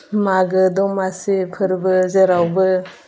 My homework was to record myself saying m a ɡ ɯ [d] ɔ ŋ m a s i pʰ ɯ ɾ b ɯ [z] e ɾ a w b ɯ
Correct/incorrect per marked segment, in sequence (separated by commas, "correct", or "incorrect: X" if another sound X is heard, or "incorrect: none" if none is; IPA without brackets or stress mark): correct, correct